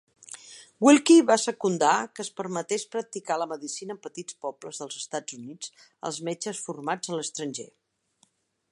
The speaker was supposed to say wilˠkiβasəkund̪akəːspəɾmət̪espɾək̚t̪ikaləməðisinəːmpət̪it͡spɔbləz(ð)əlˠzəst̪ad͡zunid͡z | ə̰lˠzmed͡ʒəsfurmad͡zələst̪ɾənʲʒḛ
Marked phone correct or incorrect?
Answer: correct